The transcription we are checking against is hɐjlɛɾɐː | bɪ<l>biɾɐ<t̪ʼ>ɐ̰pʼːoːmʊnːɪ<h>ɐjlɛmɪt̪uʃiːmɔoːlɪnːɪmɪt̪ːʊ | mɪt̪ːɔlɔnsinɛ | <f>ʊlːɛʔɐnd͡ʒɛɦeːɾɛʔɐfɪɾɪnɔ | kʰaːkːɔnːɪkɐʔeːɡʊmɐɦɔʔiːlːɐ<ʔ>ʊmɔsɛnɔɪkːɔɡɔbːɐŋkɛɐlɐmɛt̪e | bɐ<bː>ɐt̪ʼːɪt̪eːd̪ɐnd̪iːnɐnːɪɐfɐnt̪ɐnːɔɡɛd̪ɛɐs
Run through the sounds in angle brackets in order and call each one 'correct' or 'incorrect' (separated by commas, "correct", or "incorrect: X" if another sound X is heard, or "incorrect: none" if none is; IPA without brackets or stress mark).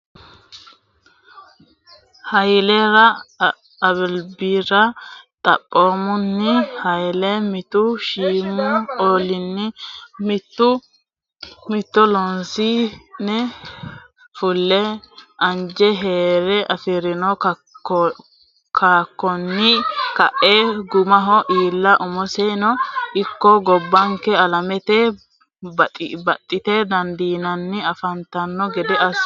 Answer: correct, correct, correct, correct, correct, incorrect: b